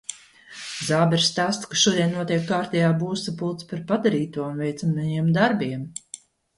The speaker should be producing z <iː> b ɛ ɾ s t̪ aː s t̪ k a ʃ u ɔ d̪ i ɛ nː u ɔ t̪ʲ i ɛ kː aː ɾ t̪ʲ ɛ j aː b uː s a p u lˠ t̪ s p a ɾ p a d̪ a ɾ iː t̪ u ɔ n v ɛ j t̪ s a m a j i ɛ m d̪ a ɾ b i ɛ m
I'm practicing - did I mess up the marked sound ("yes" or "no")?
yes